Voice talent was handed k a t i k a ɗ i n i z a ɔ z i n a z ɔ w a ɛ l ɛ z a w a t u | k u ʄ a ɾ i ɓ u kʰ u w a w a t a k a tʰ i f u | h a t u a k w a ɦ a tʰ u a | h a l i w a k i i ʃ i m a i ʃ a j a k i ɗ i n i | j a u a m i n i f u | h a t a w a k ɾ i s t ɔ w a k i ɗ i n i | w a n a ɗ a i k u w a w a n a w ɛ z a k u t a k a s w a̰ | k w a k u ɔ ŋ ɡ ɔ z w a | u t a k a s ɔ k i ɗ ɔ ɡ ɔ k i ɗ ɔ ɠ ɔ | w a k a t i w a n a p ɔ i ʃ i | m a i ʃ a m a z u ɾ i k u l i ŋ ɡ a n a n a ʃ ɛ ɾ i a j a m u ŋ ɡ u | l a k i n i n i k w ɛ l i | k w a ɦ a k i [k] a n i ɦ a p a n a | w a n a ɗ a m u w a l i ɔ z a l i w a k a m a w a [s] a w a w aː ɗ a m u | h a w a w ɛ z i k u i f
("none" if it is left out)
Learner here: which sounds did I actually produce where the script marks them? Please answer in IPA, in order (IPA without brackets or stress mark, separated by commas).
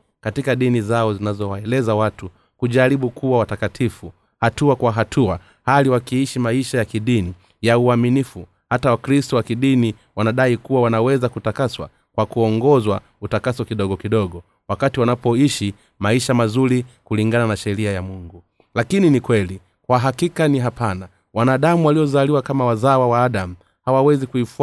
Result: k, z